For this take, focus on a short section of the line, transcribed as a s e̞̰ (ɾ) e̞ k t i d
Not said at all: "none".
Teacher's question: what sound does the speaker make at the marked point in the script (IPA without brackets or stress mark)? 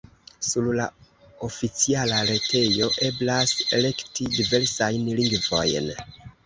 l